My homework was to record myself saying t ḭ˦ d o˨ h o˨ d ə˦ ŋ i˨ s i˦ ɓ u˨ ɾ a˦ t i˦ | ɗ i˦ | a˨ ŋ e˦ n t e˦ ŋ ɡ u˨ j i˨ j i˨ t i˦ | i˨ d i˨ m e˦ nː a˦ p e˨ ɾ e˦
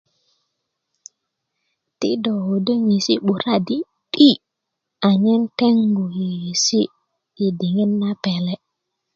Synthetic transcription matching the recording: t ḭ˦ d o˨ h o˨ d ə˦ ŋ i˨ s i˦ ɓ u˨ ɾ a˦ d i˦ | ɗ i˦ | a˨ ɲ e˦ n t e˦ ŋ ɡ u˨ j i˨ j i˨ s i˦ | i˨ d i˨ ŋ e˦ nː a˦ p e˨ l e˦